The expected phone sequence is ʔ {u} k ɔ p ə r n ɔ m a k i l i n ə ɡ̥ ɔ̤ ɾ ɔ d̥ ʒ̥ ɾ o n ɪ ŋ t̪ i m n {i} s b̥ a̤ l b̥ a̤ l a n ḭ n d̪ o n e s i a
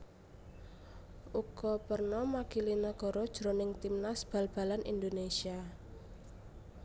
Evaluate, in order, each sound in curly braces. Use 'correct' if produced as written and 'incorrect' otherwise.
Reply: correct, incorrect: a

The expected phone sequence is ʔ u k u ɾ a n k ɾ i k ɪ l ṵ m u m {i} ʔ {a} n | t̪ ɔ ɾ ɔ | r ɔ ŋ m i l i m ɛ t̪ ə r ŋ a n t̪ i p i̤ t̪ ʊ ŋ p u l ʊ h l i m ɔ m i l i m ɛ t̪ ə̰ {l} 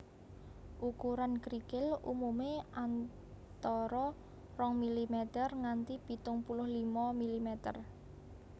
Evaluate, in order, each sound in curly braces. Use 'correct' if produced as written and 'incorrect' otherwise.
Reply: incorrect: e, correct, incorrect: r

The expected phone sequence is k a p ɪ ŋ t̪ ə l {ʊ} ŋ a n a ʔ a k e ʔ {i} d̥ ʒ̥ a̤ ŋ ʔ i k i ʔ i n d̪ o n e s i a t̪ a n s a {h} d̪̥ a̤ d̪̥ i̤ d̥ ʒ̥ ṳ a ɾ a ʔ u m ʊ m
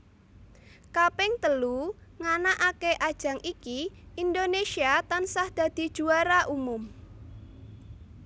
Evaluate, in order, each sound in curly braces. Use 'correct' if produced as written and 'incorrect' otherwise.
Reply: incorrect: u, incorrect: a, correct

